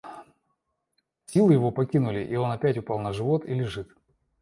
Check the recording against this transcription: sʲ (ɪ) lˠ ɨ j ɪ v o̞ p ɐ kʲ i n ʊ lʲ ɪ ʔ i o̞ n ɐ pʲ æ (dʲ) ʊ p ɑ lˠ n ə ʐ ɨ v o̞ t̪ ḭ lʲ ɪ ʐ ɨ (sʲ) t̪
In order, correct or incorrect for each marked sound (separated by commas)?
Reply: incorrect, incorrect, incorrect